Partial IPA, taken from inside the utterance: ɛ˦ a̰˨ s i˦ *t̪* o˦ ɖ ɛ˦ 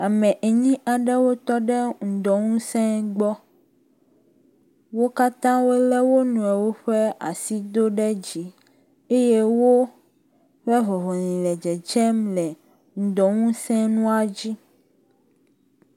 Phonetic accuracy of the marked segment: incorrect: d̪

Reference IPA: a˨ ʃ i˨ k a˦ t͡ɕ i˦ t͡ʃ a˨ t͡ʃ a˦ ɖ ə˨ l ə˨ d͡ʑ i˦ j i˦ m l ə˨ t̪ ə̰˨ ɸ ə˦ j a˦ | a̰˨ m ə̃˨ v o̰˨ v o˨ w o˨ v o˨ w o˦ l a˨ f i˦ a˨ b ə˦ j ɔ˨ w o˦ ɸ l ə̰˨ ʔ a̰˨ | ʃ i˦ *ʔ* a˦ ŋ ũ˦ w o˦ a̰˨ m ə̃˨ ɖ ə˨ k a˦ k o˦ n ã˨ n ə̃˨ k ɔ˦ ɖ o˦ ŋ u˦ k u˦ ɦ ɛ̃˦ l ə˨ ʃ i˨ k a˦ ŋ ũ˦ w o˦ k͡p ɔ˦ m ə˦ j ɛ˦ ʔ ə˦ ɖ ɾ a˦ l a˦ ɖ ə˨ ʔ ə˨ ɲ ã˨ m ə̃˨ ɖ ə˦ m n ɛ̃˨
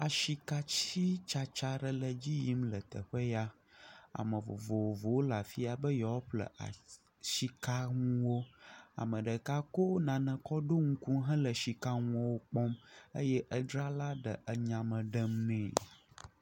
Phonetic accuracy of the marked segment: incorrect: k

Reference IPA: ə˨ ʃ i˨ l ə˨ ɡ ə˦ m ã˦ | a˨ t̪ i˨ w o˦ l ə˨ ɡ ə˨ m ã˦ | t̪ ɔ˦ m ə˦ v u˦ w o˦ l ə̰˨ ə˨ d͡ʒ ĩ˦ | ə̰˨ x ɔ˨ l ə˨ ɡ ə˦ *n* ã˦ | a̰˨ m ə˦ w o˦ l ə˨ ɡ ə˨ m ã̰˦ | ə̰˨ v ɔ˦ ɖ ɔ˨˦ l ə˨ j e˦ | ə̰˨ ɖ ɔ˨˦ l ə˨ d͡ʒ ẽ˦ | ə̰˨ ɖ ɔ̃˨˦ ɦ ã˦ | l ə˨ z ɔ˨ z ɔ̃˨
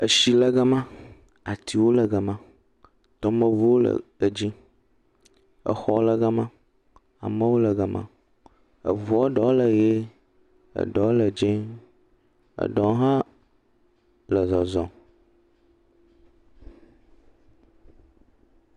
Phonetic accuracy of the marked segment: incorrect: m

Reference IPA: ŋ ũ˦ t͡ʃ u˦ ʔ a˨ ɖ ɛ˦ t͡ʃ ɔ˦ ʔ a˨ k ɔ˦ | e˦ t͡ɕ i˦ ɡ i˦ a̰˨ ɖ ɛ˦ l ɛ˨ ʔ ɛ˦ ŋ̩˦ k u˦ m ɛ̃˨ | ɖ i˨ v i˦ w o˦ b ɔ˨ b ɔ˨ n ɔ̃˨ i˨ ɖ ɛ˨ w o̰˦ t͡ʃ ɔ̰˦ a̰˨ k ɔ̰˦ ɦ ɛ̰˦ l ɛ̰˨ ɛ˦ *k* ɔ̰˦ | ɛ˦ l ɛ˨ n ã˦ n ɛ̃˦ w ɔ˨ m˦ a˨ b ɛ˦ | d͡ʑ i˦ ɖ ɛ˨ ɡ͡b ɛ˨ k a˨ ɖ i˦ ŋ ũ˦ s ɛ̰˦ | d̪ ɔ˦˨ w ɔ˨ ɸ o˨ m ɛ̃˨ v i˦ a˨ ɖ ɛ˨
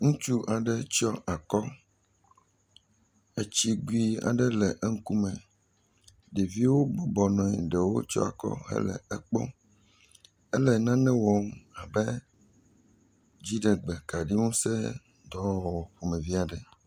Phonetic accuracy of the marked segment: incorrect: k͡p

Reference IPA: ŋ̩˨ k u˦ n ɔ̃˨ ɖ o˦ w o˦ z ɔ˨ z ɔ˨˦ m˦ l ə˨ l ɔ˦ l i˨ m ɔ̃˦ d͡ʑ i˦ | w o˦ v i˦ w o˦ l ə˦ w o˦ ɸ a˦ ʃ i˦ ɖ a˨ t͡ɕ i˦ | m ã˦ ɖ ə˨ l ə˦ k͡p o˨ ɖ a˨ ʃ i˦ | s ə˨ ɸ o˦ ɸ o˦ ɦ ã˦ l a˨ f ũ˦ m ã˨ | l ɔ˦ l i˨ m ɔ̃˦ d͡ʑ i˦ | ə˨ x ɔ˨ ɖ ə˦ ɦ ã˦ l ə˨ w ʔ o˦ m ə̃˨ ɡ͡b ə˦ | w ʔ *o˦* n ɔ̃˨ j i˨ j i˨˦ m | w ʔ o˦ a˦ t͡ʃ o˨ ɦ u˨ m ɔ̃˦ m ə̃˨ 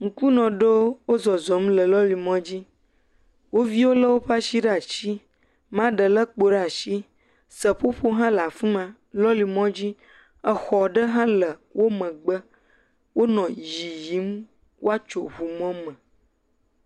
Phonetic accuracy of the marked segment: correct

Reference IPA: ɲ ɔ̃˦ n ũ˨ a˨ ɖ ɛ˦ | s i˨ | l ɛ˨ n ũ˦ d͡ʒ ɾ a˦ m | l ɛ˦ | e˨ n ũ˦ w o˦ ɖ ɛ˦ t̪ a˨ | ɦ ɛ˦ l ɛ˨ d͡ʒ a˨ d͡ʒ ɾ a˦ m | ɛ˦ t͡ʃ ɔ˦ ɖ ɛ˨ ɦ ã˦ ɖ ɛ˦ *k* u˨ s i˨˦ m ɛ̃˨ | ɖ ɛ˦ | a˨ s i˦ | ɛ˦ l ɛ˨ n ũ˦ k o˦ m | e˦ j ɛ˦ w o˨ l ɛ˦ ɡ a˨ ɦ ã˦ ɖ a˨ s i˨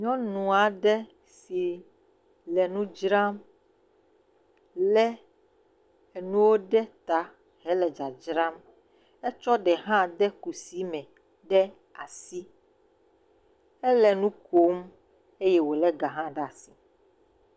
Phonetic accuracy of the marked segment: correct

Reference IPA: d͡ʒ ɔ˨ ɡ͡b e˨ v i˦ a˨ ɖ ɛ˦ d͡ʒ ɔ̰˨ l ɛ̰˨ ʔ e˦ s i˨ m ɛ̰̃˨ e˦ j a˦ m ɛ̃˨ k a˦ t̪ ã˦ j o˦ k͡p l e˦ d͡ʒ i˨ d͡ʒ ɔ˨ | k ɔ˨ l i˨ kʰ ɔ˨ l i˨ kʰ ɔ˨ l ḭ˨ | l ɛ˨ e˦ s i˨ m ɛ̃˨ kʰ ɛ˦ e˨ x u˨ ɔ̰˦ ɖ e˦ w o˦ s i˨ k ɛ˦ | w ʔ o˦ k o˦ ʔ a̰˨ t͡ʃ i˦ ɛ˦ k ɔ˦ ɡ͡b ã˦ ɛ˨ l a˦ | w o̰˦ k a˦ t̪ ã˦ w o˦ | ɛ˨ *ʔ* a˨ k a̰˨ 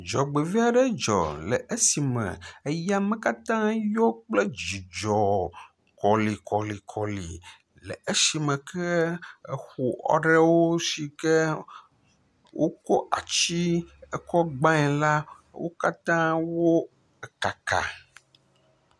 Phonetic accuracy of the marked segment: incorrect: k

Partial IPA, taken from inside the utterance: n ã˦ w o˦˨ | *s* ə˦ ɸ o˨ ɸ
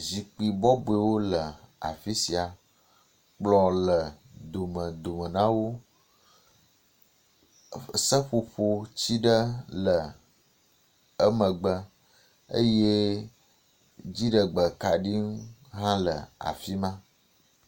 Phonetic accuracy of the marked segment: correct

